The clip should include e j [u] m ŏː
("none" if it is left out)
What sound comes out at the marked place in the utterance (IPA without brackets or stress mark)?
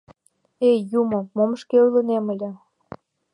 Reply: u